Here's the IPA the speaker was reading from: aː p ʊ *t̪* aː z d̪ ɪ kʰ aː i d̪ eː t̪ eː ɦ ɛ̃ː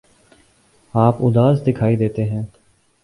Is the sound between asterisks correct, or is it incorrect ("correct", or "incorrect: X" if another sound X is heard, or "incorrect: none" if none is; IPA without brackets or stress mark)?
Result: incorrect: d̪